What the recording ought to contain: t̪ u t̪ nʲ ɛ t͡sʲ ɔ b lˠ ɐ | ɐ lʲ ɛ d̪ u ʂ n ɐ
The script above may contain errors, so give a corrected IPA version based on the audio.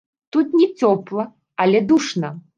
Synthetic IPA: t̪ u t̪ nʲ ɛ t͡sʲ ɔ p lˠ ɐ | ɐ lʲ ɛ d̪ u ʂ n ɐ